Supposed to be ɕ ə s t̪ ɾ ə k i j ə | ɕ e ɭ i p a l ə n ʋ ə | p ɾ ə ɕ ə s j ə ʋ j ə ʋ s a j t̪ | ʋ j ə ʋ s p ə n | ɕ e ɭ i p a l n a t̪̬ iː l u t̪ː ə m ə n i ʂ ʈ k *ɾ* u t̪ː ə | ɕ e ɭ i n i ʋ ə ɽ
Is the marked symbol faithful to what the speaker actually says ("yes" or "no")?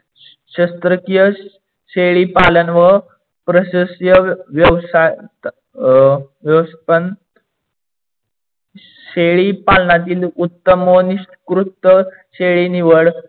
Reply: yes